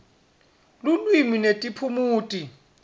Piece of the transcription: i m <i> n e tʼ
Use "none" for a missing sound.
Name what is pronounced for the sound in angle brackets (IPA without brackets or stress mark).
i